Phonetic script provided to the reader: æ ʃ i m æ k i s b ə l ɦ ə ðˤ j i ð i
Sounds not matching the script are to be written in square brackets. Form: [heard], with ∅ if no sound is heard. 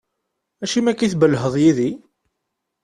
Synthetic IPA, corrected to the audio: æ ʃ i m æ k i [θ] b ə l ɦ ə ðˤ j i ð i